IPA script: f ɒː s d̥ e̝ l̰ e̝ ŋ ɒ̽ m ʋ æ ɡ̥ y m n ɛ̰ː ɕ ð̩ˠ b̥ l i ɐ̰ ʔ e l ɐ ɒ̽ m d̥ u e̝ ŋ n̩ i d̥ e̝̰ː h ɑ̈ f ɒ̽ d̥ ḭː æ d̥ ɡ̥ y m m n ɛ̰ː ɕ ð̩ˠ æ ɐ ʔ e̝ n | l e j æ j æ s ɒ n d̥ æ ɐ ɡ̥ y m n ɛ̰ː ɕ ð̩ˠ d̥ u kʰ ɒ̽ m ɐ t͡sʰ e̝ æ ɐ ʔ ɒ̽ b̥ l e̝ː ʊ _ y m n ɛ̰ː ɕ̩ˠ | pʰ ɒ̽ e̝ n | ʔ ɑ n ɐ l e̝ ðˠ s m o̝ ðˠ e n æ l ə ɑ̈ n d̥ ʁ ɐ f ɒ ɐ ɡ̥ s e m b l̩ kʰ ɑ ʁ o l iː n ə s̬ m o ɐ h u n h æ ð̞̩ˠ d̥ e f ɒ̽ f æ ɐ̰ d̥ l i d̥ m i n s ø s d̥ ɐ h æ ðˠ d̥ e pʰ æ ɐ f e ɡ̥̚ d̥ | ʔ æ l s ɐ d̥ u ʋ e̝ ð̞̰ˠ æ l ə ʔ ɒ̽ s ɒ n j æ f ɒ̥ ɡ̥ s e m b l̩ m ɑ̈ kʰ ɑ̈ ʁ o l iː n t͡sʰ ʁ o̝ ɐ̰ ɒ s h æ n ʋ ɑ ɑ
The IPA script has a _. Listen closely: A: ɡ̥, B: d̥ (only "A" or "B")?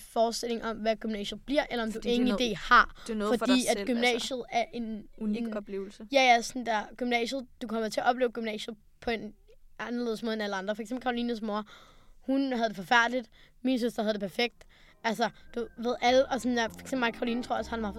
A